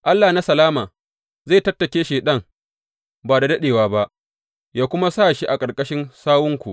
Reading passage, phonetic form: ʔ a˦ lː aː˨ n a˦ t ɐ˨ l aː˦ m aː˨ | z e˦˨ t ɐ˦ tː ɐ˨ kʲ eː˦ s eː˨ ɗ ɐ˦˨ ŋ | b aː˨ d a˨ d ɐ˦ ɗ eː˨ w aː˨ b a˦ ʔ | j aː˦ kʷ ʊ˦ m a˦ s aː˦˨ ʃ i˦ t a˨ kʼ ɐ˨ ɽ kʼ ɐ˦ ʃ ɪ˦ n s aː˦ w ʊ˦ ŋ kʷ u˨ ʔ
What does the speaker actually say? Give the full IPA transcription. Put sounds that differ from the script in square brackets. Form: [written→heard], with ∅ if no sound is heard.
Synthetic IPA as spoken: ʔ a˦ lː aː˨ n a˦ [t→s] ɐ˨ l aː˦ m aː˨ | z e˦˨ t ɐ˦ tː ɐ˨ kʲ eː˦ [s→ʃ] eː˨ ɗ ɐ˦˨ ŋ | b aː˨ d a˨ d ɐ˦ ɗ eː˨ w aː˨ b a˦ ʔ | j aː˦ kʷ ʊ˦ m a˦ s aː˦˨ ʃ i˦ [t→ʔ] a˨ kʼ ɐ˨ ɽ kʼ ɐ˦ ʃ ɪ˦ n s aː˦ w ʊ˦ ŋ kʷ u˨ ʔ